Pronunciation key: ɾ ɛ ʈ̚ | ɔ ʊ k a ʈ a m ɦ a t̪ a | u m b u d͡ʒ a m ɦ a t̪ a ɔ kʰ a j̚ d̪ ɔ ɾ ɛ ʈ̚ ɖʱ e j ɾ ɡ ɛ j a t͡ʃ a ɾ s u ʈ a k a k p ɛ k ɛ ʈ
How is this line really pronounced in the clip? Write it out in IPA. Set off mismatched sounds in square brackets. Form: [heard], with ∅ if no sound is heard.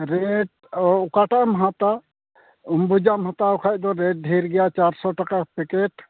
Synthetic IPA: ɾ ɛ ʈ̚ | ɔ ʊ k a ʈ a m ɦ a t̪ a | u m b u d͡ʒ a m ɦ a t̪ a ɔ kʰ a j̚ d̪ ɔ ɾ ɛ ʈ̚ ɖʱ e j ɾ ɡ ɛ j a t͡ʃ a ɾ s [ɔ] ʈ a k a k p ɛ k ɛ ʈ